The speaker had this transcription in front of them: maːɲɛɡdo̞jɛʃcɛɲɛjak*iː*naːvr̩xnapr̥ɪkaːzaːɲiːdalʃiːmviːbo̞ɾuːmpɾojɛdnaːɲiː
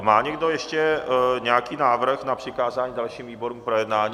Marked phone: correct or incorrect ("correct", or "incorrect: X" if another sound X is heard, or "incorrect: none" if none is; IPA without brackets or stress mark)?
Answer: correct